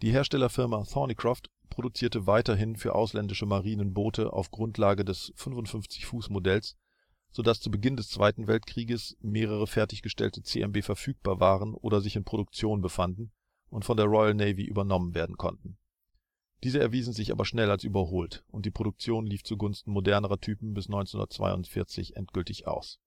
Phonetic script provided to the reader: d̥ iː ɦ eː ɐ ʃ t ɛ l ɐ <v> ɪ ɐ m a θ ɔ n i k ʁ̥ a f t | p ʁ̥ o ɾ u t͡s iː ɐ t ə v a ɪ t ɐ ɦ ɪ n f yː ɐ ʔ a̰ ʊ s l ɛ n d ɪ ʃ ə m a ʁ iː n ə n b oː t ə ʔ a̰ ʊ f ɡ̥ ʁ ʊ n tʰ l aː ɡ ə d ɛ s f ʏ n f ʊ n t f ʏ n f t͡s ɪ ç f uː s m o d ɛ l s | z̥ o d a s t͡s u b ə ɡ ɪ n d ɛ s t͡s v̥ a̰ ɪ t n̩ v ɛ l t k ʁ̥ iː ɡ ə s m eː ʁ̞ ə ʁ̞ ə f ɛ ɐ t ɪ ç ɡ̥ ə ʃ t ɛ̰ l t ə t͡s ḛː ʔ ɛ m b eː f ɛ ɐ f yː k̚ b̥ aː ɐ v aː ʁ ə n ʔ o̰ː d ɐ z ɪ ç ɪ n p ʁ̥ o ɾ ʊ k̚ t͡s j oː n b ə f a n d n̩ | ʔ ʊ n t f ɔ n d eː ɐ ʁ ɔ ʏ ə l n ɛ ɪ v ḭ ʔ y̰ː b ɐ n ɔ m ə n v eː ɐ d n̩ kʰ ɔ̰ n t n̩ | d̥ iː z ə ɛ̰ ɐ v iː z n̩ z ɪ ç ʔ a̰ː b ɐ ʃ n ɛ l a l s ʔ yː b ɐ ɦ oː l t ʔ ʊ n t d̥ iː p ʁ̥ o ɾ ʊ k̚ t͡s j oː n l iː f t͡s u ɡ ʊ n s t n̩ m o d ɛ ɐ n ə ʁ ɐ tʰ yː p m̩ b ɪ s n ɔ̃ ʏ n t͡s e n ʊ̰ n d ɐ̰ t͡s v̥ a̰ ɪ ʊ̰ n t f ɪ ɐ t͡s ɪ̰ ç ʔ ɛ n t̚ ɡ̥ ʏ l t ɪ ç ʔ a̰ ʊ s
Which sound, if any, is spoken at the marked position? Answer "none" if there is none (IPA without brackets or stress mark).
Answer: f